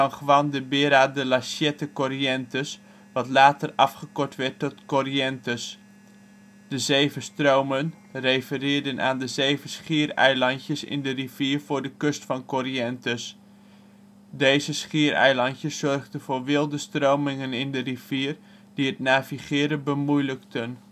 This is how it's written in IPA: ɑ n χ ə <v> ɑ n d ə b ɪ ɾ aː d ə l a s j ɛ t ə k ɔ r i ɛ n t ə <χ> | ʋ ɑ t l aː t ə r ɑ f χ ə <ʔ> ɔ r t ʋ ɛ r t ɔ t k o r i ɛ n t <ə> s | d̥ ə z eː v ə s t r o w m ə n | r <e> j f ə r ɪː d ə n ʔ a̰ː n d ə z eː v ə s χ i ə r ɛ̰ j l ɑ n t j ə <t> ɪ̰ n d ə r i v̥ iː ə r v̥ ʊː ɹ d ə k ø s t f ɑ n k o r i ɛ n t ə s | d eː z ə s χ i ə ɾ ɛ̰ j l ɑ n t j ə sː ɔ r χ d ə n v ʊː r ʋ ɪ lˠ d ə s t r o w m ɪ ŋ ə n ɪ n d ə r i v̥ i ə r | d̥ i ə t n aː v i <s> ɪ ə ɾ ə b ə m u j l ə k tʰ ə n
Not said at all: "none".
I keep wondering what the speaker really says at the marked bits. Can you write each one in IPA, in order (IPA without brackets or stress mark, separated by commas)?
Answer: ʋ, s, k, ə, e, s, χ